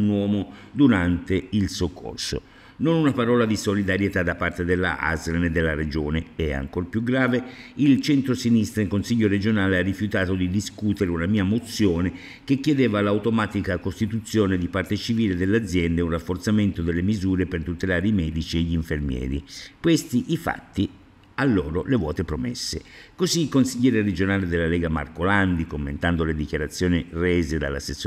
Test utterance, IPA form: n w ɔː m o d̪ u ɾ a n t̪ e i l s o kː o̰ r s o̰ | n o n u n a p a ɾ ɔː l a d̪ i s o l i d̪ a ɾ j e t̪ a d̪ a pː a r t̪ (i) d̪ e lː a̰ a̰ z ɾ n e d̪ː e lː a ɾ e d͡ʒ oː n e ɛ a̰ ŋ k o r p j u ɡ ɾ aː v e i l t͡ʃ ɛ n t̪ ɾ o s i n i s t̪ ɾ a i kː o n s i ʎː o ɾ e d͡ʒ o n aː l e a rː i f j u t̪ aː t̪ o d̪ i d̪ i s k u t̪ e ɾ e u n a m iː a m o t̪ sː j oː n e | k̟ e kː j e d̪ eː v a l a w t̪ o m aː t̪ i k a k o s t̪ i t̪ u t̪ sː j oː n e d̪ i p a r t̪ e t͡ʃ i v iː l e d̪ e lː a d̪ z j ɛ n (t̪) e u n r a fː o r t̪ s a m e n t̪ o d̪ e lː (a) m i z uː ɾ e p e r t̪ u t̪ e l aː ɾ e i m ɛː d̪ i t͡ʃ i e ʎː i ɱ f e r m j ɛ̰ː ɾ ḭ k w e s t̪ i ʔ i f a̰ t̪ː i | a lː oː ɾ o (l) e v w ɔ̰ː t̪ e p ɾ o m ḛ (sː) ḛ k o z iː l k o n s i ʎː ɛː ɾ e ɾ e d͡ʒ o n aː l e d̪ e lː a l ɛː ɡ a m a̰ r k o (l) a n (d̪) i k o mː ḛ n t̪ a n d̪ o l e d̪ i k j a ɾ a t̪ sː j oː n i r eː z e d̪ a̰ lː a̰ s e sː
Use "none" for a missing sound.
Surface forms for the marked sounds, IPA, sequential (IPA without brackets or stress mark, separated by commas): e, d̪, e, l, sː, l, d̪